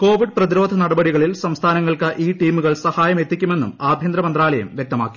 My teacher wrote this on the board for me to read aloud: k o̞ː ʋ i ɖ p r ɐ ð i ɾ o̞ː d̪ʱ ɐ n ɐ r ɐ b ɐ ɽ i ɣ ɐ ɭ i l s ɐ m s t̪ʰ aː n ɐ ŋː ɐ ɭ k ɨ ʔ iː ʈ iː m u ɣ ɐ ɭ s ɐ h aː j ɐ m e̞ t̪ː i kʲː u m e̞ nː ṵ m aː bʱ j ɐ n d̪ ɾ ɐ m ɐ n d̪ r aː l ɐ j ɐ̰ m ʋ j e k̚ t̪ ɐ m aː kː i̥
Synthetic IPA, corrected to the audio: k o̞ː ʋ i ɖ p r ɐ ð i ɾ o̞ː d̪ʱ ɐ n ɐ ɽ ɐ b ɐ ɽ i ɣ ɐ ɭ i l s ɐ m s t̪ʰ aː n ɐ ŋː ɐ ɭ k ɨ ʔ iː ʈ iː m u ɣ ɐ ɭ s ɐ h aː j ɐ m e̞ t̪ː i kʲː u m e̞ nː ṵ m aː bʱ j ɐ n d̪ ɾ ɐ m ɐ n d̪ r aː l ɐ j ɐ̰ m ʋ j e k̚ t̪ ɐ m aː kː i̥